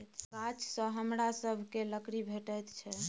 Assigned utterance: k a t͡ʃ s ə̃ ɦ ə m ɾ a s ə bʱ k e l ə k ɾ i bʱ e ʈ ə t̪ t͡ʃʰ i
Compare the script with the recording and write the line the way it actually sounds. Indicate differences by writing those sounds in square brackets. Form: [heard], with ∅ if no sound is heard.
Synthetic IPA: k a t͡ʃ s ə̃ ɦ ə m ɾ a s ə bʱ k e l ə k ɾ i bʱ e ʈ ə t̪ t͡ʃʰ [ɛ]